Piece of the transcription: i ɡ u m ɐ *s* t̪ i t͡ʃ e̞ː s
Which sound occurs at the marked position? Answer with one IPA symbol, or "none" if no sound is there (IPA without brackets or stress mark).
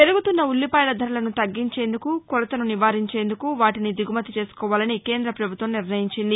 none